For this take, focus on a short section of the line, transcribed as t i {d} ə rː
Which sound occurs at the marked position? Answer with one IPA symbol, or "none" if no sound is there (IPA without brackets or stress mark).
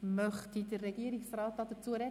d